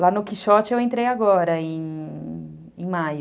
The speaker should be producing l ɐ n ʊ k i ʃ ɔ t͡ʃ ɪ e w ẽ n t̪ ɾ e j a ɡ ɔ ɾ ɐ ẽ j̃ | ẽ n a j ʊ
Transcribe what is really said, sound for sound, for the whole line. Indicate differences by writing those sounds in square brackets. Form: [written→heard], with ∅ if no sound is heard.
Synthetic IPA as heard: l [ɐ→a] n ʊ k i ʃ ɔ t͡ʃ ɪ e w ẽ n t̪ ɾ e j a ɡ ɔ ɾ ɐ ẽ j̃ | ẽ [n→m] a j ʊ